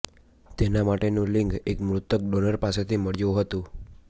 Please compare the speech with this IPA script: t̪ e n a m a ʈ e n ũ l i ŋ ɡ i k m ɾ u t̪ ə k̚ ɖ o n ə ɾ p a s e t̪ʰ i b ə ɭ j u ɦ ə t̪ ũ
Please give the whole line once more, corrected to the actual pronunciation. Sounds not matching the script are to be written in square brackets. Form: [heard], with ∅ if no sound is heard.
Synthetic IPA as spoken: t̪ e n a m a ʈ e n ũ l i ŋ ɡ [e] k m ɾ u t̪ ə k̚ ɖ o n ə ɾ p a s e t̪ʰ i [m] ə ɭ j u ɦ ə t̪ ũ